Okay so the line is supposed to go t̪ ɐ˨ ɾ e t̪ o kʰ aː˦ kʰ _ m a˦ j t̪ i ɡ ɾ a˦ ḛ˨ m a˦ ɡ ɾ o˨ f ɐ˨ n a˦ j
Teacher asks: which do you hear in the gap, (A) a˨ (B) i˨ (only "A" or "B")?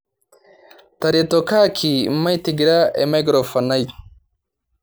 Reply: B